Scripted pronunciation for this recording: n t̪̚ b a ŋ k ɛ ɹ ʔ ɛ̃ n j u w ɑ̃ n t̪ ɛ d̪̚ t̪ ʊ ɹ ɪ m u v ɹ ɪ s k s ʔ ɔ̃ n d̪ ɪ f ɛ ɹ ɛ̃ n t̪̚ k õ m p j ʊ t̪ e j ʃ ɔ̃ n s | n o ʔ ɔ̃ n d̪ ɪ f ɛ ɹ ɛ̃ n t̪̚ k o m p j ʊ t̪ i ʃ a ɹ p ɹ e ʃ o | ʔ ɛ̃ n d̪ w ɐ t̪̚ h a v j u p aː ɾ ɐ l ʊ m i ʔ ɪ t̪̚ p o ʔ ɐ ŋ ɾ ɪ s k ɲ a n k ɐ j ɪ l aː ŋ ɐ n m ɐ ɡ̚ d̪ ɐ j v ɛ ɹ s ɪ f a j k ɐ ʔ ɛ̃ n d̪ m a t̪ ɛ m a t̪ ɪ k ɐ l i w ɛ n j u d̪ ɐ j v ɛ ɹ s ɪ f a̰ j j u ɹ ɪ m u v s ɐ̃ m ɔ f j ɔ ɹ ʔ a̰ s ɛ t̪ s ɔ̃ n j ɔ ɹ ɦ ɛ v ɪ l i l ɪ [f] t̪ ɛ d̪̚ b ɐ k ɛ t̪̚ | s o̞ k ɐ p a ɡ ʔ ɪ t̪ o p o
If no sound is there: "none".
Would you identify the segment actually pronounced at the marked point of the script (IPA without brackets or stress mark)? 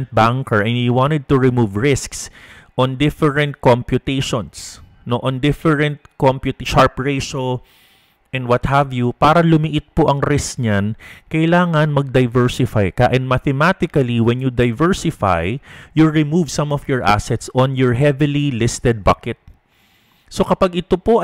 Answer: s